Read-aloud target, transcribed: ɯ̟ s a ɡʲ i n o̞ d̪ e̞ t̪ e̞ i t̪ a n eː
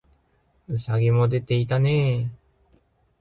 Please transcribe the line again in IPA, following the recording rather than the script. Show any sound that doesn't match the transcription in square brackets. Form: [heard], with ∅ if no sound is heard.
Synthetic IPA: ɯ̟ s a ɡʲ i [m] o̞ d̪ e̞ t̪ e̞ i t̪ a n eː